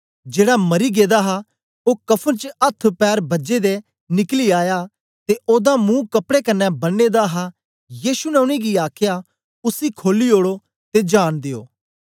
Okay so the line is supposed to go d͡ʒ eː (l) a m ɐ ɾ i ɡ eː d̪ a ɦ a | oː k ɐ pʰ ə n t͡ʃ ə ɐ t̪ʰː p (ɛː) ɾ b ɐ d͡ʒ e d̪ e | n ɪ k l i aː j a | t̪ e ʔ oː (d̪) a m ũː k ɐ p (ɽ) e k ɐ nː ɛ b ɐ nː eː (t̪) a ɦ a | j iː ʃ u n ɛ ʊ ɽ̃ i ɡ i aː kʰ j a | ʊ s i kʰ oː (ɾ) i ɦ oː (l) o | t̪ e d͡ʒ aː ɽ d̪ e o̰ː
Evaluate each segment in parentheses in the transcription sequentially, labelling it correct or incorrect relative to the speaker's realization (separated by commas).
incorrect, correct, correct, correct, incorrect, incorrect, incorrect